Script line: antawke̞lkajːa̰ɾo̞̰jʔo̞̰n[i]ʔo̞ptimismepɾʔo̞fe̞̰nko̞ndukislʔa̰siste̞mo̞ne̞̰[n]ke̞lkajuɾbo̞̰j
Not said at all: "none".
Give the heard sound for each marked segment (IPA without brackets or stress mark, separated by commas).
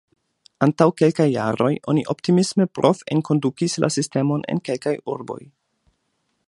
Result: i, n